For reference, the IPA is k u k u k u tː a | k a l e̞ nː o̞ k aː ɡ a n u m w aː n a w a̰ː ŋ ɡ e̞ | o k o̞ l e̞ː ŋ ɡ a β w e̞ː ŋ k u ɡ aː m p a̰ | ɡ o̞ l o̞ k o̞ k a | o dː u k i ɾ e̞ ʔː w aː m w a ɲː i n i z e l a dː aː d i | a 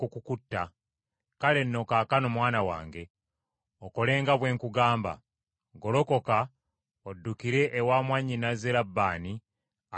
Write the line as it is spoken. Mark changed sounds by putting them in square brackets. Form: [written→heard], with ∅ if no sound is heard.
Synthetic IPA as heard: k u k u k u tː a | k a l e̞ nː o̞ k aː [ɡ→k] a n [u→o] m w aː n a w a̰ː ŋ ɡ e̞ | o k o̞ l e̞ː ŋ ɡ a β w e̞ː ŋ k u ɡ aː m [p→b] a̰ | ɡ o̞ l o̞ k o̞ k a | o dː u k i ɾ e̞ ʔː w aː m w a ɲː i n [i→a] z e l a [dː→bː] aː [d→n] i | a